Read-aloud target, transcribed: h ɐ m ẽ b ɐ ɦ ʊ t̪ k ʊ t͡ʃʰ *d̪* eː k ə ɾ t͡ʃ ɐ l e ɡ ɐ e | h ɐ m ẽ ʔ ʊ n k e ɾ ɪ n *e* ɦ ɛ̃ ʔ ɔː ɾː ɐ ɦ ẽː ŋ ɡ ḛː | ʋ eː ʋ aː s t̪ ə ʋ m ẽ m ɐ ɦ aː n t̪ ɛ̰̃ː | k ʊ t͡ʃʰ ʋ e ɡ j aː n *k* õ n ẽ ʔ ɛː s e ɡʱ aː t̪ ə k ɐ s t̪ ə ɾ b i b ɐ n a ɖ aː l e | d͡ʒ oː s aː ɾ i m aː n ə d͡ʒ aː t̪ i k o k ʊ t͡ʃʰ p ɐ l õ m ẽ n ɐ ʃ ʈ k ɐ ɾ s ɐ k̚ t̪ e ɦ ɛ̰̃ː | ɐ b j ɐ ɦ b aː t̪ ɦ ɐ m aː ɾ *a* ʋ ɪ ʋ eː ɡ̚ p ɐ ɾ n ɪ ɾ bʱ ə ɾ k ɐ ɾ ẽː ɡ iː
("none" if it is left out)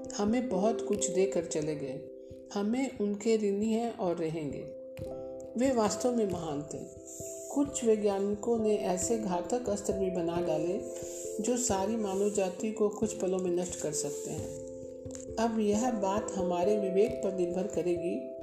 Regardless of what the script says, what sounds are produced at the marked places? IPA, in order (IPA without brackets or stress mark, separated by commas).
d̪, i, k, e